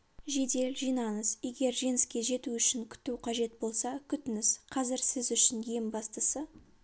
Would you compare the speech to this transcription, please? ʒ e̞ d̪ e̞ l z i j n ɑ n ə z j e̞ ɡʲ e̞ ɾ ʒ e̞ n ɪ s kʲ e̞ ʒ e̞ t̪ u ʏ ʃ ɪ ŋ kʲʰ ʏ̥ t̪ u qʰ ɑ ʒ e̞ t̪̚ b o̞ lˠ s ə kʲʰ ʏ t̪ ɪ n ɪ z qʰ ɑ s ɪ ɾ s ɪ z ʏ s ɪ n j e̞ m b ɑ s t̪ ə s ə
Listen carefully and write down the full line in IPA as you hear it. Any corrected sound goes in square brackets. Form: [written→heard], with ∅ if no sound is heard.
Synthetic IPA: ʒ e̞ d̪ e̞ l [z→ʒ] i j n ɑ n ə z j e̞ ɡʲ e̞ ɾ ʒ e̞ n ɪ s kʲ e̞ ʒ e̞ t̪ u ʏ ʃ ɪ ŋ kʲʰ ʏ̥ t̪ u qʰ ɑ ʒ e̞ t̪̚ b o̞ lˠ s [ə→ɑ] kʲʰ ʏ t̪ ɪ n ɪ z qʰ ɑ [s→z] ɪ ɾ s ɪ z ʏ [s→ʃ] ɪ n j e̞ m b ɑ s t̪ ə s ə